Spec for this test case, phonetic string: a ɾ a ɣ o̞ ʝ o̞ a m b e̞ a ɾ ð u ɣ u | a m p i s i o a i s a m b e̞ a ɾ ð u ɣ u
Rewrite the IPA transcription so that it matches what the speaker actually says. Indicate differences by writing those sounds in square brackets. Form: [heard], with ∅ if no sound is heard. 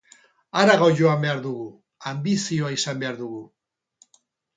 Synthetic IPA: a ɾ a ɣ o̞ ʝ o̞ a m b e̞ a ɾ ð u ɣ u | a m [b] i s i o a i s a m b e̞ a ɾ ð u ɣ u